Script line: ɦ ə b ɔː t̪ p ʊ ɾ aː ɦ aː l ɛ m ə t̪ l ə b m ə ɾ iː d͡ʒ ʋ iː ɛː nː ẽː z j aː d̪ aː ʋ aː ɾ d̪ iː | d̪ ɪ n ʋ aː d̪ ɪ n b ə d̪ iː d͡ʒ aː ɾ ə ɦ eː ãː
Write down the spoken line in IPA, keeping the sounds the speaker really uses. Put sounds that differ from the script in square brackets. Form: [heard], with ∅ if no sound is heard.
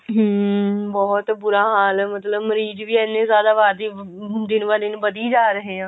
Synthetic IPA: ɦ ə b ɔː t̪ [b] ʊ ɾ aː ɦ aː l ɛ m ə t̪ l ə b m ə ɾ iː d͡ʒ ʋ iː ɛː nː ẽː z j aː d̪ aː ʋ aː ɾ d̪ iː | d̪ ɪ n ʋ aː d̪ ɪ n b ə d̪ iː d͡ʒ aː ɾ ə ɦ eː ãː